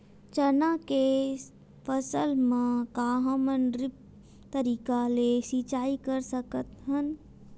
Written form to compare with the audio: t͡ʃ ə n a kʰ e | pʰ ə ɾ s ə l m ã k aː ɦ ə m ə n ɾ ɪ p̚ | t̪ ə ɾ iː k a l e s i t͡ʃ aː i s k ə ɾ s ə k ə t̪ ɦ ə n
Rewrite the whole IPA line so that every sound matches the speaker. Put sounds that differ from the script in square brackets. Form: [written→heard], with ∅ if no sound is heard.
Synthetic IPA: t͡ʃ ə n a [kʰ→k] e | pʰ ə [ɾ→∅] s ə l m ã k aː ɦ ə m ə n ɾ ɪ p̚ | t̪ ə ɾ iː k a l e s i t͡ʃ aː i [s→∅] k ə ɾ s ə k ə t̪ ɦ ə n